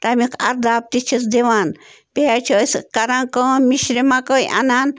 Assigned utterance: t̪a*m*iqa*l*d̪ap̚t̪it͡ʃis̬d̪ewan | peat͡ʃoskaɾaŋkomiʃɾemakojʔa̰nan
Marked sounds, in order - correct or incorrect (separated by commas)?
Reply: correct, incorrect